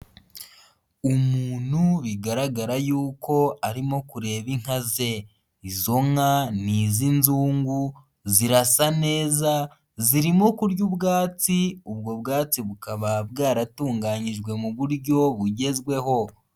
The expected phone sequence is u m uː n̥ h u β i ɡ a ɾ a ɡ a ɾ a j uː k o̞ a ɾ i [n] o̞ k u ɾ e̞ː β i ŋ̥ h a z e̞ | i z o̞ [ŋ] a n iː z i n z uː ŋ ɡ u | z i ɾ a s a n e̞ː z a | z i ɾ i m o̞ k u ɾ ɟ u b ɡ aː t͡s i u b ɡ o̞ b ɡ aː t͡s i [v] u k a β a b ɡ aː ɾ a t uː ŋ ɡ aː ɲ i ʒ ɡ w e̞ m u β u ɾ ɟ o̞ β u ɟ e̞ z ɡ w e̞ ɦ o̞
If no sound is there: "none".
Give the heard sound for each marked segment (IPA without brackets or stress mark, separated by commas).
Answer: m, ŋ, β